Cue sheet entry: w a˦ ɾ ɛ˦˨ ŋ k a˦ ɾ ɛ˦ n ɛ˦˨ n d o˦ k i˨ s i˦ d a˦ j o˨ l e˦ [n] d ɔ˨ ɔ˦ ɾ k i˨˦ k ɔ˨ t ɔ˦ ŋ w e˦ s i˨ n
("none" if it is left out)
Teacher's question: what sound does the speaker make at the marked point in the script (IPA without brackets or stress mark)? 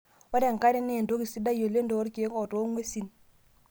n